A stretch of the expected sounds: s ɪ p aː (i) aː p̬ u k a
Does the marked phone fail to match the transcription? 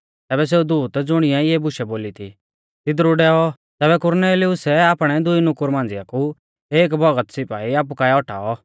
no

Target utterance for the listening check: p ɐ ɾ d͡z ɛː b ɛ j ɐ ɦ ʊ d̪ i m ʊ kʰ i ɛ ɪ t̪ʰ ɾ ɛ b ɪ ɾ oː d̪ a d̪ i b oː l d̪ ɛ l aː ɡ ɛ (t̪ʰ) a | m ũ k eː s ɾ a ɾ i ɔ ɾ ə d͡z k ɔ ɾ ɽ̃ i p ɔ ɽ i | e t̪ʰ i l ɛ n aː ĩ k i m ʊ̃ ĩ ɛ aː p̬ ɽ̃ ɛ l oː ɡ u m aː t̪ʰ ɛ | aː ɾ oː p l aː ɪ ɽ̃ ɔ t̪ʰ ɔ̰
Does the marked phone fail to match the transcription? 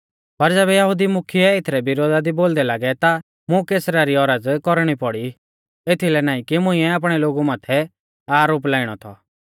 yes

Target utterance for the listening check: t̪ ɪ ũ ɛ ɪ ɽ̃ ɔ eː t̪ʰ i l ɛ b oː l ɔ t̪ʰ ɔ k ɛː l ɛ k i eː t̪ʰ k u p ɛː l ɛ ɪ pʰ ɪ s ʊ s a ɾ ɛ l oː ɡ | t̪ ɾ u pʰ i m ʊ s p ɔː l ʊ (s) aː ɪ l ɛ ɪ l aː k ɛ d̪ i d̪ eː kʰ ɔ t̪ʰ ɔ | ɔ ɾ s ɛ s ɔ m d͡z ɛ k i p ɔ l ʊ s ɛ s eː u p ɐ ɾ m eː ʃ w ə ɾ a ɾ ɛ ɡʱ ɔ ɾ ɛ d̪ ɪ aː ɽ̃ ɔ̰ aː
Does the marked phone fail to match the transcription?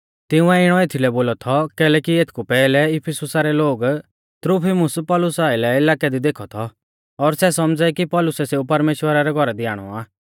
no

